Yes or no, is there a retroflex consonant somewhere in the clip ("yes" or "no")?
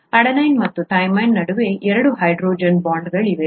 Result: yes